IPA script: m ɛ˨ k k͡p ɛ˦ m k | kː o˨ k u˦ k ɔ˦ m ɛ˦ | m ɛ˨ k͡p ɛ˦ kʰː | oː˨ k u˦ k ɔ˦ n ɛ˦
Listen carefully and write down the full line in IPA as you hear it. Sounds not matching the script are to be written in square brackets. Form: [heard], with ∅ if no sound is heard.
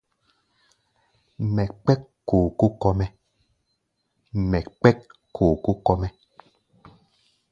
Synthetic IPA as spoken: m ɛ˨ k k͡p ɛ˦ [∅] k | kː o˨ k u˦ k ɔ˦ m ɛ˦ | m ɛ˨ k͡p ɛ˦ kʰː | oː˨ k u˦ k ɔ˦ [m] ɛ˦